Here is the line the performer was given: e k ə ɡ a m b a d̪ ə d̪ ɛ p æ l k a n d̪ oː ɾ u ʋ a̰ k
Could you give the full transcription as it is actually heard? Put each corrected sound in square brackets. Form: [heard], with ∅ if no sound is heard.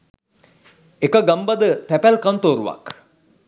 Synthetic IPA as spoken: e k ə ɡ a m b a d̪ ə [t̪] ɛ p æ l k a n [t̪] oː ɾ u ʋ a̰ k